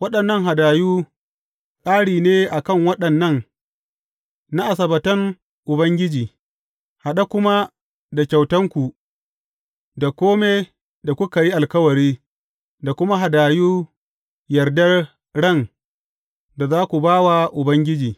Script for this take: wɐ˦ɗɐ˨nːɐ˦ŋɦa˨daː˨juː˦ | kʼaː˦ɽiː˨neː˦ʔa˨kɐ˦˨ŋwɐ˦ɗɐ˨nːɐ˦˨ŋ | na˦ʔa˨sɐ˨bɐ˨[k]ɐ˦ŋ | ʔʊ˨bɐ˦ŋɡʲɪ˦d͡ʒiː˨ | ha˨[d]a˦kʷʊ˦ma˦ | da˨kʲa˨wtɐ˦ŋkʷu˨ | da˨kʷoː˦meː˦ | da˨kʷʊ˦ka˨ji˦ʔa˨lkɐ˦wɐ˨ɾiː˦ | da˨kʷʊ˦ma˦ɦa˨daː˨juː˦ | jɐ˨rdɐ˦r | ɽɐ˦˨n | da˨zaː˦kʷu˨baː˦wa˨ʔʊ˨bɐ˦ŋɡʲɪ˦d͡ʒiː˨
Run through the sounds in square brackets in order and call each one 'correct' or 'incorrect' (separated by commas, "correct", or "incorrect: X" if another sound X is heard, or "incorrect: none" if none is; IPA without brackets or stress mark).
incorrect: t, incorrect: ɗ